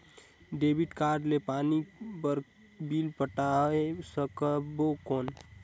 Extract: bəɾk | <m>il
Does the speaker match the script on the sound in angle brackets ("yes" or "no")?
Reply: no